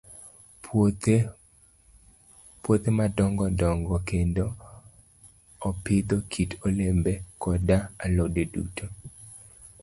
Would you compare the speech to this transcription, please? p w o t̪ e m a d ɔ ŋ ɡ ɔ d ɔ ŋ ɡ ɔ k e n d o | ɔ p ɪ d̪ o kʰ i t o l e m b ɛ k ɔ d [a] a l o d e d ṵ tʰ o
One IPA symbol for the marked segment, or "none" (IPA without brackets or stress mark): a